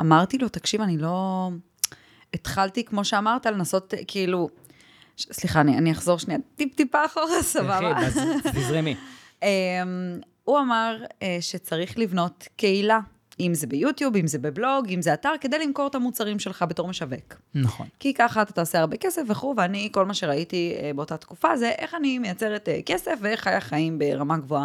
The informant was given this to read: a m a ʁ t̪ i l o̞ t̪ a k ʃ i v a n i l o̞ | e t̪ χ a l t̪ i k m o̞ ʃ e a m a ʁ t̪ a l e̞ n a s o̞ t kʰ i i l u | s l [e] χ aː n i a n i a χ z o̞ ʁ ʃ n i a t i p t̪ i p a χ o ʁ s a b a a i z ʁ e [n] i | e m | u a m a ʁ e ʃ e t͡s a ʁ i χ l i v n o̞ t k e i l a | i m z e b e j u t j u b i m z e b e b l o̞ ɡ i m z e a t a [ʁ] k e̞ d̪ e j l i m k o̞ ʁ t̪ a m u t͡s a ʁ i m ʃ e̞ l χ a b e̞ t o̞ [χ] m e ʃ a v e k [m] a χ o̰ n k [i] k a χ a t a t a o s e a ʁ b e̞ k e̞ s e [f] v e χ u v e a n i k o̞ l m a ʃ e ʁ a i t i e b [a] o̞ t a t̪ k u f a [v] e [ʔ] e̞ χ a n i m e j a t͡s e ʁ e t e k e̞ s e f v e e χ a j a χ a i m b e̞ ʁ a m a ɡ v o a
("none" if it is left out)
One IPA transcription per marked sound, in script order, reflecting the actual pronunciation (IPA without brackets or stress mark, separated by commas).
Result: i, m, ʁ, ʁ, n, i, f, e, z, ʔ